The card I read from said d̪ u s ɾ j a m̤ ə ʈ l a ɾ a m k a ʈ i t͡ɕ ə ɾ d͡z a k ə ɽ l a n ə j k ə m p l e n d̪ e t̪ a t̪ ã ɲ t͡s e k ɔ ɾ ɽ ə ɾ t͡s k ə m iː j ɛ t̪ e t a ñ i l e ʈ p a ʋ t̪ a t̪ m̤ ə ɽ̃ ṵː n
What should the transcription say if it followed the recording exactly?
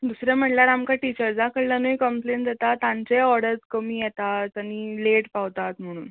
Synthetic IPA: d̪ u s ɾ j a m̤ ə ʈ l a ɾ a m k a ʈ i t͡ɕ ə ɾ d͡z a k ə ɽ l a n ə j k ə m p l e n d̪ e t̪ a t̪ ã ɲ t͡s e ɔ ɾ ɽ ə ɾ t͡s k ə m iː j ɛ t̪ a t a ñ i l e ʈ p a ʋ t̪ a t̪ m̤ ə ɽ̃ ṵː n